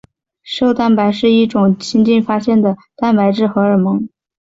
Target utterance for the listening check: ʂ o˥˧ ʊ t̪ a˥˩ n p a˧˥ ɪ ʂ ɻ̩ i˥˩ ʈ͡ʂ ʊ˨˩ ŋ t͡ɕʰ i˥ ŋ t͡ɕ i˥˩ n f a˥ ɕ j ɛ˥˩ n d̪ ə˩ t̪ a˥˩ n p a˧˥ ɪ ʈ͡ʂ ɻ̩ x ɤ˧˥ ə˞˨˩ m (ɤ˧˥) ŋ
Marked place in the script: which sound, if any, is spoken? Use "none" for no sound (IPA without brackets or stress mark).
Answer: ɤ˧˥